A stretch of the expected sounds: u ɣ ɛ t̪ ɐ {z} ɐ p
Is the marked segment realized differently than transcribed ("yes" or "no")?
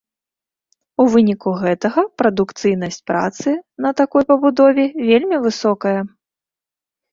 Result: yes